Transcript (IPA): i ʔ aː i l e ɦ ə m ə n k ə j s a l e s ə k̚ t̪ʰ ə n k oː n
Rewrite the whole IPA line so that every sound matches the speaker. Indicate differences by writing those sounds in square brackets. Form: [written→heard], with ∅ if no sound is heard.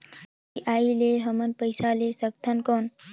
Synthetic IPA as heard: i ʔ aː i l e ɦ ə m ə n [k→p] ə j s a l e s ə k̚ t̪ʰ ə n k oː n

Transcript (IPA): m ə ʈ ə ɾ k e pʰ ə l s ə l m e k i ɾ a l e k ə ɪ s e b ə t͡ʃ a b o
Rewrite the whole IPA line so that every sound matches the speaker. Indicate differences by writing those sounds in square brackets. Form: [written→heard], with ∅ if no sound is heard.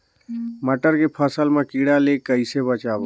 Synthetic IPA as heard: m ə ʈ ə ɾ k e pʰ ə [l→∅] s ə l m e k i [ɾ→ɽ] a l e k ə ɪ s e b ə t͡ʃ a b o

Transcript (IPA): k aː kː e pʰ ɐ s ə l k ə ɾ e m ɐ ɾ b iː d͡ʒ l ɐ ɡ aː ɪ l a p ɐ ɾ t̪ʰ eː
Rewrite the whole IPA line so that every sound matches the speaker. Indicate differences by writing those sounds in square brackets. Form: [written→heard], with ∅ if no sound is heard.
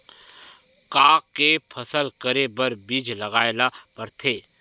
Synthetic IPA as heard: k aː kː e pʰ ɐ s ə l k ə ɾ e [m→b] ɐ ɾ b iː d͡ʒ l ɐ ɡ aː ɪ l a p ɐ ɾ t̪ʰ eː

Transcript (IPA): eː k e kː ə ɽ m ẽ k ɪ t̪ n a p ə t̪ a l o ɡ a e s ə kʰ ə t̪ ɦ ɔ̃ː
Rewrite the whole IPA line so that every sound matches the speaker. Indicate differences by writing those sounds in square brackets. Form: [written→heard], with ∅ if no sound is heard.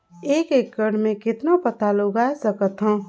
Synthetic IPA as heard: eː k e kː ə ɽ m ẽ k ɪ t̪ n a p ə t̪ a l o ɡ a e s ə [kʰ→k] ə t̪ ɦ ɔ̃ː

